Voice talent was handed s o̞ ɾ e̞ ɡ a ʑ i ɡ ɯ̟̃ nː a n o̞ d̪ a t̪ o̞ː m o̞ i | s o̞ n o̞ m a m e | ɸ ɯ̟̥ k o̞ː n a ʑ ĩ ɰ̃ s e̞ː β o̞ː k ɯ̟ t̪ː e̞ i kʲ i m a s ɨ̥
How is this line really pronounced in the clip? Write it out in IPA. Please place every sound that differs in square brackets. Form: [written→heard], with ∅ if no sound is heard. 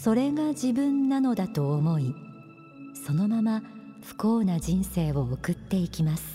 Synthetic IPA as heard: s o̞ ɾ e̞ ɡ a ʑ i [ɡ→b] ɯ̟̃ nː a n o̞ d̪ a t̪ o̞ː m o̞ i | s o̞ n o̞ m a m [e→a] | ɸ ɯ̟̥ k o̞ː n a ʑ ĩ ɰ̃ s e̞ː β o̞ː k ɯ̟ t̪ː e̞ i kʲ i m a s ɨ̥